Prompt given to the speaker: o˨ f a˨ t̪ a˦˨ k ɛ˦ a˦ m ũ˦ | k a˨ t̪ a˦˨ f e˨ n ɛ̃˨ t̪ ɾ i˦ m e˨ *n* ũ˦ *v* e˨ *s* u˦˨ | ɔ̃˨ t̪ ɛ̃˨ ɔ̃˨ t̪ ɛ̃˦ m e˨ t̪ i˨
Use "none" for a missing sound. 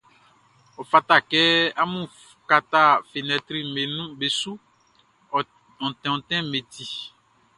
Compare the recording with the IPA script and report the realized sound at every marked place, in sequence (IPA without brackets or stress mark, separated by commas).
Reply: n, b, s